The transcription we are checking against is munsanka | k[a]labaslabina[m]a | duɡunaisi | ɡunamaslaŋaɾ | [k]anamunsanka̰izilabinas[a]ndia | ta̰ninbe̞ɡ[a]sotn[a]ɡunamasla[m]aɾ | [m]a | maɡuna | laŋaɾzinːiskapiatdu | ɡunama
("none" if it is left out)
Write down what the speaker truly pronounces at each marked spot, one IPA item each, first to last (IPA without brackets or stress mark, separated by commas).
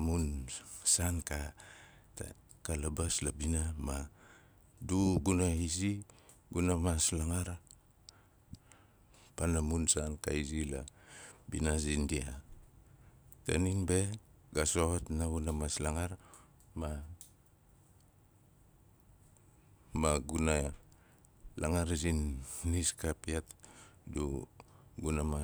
a, m, p, i, a, a, ŋ, m